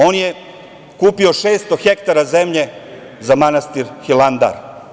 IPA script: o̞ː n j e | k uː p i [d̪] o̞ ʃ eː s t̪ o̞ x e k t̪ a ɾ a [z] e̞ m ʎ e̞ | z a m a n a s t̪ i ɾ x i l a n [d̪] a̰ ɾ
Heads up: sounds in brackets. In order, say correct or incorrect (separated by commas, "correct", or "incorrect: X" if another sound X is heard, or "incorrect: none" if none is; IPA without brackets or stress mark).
incorrect: none, correct, correct